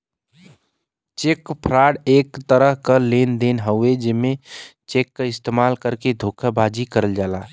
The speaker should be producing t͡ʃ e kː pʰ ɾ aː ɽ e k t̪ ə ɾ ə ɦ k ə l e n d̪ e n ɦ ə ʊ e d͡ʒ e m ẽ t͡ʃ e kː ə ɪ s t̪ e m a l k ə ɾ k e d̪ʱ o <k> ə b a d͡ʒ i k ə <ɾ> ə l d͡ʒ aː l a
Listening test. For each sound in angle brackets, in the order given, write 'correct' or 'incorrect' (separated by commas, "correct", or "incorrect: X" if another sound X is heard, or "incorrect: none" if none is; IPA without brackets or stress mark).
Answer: incorrect: kʰ, correct